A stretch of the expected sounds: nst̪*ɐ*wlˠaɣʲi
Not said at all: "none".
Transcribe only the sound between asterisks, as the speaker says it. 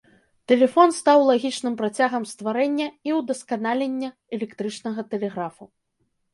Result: a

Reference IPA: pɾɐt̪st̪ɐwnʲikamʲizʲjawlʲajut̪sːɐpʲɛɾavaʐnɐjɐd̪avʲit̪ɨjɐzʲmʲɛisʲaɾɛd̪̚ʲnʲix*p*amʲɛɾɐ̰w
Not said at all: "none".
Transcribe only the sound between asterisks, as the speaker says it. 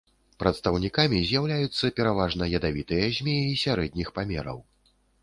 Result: p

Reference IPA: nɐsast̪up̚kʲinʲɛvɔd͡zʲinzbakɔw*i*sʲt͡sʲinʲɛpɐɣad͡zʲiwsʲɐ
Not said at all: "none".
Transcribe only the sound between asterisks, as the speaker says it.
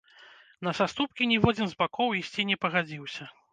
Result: i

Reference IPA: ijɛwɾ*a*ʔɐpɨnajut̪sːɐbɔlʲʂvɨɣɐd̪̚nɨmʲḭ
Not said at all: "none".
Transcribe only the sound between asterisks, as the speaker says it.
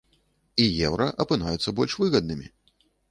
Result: ɐ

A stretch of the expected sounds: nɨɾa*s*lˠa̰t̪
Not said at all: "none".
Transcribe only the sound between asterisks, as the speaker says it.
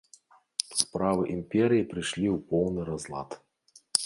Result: z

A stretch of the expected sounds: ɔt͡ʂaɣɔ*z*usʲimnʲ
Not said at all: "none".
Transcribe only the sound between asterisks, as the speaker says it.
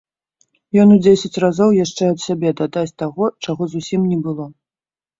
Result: z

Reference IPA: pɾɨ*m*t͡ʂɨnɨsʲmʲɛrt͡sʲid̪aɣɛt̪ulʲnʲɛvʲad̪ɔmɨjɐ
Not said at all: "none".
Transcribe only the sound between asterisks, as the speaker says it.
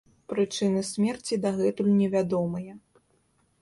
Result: none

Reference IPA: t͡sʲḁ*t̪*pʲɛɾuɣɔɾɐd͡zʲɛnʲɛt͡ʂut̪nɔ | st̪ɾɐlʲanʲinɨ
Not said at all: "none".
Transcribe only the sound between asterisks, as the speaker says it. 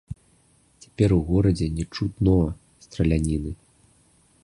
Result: none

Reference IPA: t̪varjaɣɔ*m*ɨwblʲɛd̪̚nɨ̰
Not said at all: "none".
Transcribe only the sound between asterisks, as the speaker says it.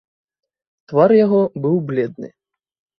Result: b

